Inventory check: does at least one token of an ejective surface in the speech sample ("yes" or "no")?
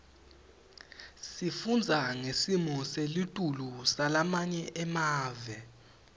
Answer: yes